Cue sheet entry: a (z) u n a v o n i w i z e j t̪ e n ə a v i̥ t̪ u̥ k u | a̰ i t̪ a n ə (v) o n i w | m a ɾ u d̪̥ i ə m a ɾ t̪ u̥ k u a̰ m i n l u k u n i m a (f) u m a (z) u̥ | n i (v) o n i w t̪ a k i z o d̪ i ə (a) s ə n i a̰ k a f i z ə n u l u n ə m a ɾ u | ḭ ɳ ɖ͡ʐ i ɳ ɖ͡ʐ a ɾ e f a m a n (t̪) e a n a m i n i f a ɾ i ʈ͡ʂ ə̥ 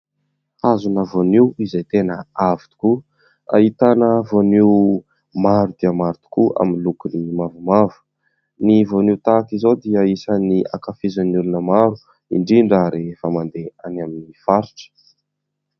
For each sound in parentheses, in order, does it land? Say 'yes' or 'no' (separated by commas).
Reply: yes, yes, no, no, yes, no, no